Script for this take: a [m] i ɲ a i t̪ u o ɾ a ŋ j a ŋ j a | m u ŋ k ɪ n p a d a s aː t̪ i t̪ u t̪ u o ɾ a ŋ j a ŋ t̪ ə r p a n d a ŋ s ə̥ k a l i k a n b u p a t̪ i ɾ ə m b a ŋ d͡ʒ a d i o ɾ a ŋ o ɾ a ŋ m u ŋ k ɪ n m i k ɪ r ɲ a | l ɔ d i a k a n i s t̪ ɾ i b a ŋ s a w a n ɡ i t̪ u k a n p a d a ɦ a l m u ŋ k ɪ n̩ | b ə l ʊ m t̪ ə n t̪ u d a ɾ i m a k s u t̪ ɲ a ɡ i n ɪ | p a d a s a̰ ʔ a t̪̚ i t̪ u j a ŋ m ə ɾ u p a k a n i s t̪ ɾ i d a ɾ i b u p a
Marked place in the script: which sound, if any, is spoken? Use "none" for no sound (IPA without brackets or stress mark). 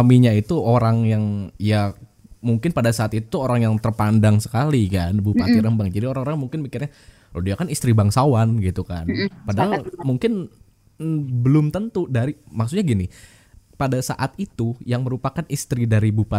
m